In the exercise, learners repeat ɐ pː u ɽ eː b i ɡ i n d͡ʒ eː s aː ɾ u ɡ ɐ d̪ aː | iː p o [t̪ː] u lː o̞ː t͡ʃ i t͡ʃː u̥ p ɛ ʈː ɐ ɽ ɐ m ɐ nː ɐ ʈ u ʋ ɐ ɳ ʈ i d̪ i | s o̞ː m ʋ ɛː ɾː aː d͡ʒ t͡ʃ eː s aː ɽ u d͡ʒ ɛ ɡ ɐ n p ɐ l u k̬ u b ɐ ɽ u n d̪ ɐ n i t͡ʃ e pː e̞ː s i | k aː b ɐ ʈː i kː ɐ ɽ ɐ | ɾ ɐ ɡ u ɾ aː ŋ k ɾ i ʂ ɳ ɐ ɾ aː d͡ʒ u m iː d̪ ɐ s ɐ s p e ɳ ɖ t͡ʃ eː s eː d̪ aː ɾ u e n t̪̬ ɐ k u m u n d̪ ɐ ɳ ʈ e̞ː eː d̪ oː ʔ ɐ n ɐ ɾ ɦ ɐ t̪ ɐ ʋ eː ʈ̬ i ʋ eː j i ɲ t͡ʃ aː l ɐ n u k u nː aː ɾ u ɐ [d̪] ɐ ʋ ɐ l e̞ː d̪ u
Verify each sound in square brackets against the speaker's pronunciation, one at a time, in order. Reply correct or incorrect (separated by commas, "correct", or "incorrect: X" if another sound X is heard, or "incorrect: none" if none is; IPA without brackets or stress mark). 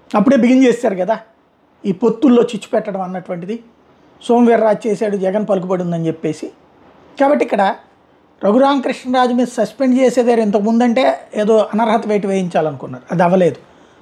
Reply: correct, correct